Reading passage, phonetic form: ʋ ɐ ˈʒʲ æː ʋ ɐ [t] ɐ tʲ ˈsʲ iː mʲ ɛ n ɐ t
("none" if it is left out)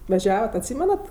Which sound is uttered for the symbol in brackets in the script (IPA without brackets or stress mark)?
t